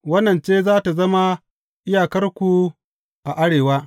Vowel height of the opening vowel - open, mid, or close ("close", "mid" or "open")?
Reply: open